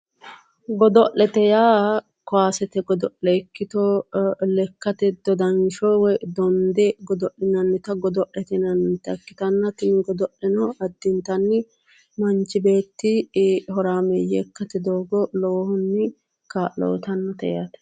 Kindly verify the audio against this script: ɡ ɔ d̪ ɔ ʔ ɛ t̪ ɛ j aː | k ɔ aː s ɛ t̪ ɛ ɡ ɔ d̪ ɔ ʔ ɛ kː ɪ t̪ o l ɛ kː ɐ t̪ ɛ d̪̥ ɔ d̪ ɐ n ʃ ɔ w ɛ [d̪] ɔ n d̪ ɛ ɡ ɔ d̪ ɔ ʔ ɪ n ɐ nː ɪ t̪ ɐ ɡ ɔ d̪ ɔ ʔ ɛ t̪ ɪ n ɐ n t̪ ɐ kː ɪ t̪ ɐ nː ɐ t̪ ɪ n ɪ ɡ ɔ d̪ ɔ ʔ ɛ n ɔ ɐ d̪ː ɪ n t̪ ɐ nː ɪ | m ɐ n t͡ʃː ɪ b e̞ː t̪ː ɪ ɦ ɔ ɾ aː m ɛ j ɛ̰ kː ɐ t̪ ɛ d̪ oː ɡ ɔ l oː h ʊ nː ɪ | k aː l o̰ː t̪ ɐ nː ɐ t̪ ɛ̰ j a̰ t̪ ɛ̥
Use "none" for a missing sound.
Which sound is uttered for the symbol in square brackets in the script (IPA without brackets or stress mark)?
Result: d̪